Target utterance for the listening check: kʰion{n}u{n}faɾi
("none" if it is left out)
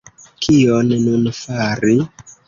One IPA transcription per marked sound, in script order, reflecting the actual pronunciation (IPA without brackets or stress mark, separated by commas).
n, n